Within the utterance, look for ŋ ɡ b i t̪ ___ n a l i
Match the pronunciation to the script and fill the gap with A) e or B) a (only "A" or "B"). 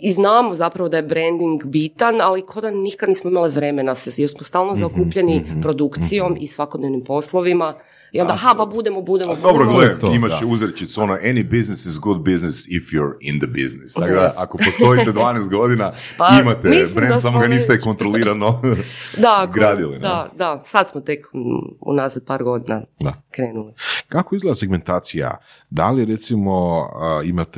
B